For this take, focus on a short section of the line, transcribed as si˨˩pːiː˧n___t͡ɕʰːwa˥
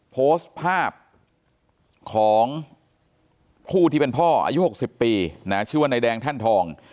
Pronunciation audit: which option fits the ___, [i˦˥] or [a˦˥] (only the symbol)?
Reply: a˦˥